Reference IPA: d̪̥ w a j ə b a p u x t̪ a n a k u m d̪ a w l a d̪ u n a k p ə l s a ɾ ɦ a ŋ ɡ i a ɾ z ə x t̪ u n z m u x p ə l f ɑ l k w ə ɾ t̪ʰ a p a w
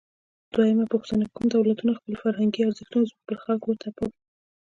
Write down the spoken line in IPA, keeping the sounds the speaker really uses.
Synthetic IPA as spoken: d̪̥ w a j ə m a p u x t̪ a n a k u m d̪ a w l a t̪ u n a x p ə l f a ɾ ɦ a ŋ ɡ i a ɾ z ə x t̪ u n z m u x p ə l x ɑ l k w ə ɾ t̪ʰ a p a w